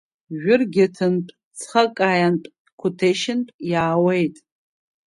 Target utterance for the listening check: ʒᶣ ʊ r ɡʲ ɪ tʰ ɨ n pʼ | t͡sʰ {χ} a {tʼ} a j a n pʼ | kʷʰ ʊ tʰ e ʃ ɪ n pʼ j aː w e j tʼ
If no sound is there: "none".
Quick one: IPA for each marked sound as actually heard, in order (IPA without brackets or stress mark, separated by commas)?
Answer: χ, kʼ